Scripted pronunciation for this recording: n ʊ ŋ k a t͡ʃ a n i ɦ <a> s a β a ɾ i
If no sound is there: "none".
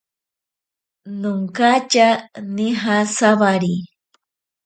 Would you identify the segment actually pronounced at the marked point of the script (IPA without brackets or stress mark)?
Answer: a